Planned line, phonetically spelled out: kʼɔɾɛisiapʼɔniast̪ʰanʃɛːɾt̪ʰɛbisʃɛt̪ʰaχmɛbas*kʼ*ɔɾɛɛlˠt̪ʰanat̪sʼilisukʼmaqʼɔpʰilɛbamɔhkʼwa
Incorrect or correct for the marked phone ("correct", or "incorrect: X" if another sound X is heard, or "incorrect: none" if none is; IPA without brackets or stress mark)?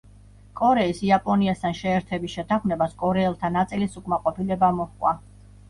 correct